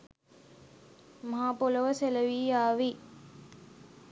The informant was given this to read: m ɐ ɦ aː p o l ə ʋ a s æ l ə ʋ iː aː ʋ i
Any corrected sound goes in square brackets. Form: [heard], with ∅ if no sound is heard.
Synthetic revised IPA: m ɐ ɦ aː p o l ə ʋ [ə] s [e] l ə ʋ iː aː ʋ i